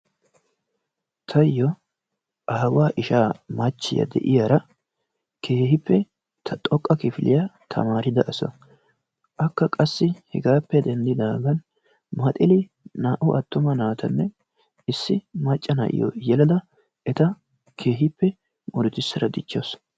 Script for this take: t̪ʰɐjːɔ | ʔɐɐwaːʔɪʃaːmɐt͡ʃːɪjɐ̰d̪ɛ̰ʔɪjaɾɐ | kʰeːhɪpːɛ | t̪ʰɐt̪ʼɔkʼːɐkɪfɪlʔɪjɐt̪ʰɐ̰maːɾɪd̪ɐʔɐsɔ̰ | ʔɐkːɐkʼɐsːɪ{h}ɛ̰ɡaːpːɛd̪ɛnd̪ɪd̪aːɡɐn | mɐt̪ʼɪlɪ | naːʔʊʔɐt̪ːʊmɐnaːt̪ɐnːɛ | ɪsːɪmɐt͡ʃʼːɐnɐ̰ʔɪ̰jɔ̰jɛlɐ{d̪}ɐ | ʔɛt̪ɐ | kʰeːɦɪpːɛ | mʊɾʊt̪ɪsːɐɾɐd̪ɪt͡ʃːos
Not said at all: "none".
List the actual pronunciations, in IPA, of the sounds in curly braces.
h, d̪

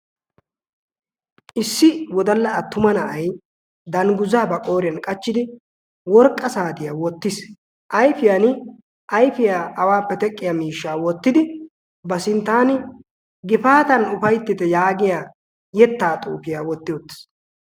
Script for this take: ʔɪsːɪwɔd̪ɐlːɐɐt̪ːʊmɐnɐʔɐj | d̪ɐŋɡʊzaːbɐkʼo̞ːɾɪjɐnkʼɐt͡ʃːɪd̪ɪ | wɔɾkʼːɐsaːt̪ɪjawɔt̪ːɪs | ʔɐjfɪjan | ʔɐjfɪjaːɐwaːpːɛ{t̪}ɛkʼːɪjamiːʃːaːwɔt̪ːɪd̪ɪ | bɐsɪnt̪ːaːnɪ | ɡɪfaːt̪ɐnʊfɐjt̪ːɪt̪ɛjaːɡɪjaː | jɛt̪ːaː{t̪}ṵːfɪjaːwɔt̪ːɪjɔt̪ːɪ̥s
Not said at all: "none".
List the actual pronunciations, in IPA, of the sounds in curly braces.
t̪, t̪ʼ

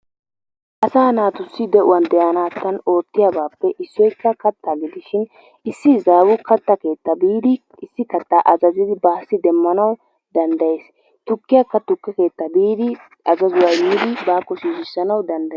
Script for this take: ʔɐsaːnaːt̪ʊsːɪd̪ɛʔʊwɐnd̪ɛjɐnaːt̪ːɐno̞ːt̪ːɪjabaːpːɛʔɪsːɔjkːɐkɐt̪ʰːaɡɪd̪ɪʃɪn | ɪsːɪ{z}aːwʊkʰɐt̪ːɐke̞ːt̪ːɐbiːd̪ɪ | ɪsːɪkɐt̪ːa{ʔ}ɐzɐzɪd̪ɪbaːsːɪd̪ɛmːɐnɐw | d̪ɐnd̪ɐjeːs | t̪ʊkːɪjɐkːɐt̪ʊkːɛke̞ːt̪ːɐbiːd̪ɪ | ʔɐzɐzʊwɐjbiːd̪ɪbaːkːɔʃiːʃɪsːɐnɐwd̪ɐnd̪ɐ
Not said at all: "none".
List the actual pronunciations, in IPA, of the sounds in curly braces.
z, ʔ

